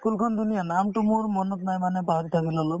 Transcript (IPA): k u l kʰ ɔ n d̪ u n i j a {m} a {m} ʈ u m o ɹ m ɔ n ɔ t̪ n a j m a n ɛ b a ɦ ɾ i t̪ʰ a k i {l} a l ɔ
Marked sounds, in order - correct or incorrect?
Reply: incorrect: n, correct, correct

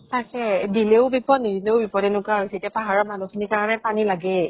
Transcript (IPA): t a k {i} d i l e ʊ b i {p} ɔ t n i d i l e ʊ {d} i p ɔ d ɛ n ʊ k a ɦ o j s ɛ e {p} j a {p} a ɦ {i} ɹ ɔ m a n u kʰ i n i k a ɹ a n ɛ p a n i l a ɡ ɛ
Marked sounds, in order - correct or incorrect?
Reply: incorrect: ɛ, correct, incorrect: b, incorrect: t, correct, incorrect: a

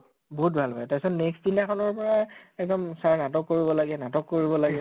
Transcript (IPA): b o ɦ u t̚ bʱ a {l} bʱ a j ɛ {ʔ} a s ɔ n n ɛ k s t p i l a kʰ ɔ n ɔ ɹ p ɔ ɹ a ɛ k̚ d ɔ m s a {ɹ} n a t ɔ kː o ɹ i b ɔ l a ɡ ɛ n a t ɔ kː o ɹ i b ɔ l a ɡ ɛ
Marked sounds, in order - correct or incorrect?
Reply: correct, incorrect: t, correct

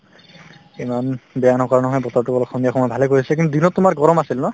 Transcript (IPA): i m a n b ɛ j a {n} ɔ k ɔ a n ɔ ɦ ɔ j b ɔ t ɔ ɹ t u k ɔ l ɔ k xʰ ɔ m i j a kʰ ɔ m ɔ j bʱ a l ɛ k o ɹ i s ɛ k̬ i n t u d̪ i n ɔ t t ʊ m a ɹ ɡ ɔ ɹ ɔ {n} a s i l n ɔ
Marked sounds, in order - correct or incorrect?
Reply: correct, incorrect: m

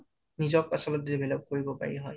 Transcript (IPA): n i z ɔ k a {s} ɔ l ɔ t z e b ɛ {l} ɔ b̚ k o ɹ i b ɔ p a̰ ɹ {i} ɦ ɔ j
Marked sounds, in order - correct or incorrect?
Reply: correct, correct, correct

